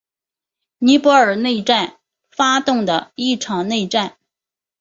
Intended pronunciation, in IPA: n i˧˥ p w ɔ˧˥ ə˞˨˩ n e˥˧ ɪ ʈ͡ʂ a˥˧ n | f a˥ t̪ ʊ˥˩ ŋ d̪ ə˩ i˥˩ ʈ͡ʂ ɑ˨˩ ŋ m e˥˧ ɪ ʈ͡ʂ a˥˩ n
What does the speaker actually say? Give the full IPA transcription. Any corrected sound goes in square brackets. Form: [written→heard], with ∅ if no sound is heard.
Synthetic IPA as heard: n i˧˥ p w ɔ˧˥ ə˞˨˩ n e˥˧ ɪ ʈ͡ʂ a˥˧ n | f a˥ t̪ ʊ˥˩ ŋ d̪ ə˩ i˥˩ [ʈ͡ʂ→ʈ͡ʂʰ] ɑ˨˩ ŋ [m→n] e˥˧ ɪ ʈ͡ʂ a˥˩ n